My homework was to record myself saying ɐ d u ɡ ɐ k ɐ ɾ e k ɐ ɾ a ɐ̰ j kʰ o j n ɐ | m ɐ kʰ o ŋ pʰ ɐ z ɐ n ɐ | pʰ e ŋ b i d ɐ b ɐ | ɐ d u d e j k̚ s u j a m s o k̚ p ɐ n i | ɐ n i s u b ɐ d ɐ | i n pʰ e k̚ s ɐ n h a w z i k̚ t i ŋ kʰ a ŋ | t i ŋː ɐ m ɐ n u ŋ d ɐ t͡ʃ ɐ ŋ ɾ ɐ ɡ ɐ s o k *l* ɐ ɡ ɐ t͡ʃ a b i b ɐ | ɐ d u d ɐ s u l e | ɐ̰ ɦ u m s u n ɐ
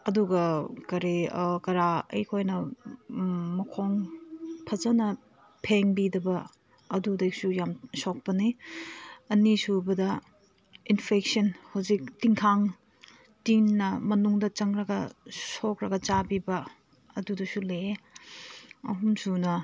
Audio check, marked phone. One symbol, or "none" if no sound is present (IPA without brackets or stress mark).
ɾ